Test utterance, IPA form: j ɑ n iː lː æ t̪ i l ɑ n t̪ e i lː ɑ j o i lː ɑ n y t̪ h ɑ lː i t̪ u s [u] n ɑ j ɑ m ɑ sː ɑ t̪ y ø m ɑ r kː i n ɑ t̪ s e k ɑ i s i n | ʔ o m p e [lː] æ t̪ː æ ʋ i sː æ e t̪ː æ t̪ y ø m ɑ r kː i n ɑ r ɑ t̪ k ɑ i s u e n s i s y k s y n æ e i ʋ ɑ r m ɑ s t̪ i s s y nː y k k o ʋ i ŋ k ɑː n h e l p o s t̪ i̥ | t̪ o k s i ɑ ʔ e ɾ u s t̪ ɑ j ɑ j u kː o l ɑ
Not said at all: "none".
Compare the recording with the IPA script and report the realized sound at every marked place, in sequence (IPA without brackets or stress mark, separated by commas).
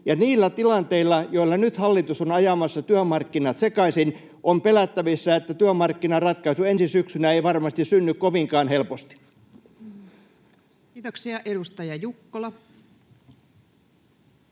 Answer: o, l